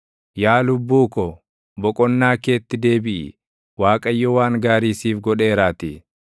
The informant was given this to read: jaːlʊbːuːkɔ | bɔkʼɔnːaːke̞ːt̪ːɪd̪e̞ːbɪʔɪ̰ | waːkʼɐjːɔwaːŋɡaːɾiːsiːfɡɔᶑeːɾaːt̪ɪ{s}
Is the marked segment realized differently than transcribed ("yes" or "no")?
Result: yes